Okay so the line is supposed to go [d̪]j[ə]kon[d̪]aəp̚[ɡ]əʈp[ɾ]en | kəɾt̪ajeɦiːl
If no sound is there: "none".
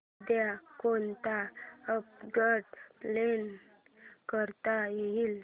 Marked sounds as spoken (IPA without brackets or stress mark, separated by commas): d̪, a, t̪, ɡ, l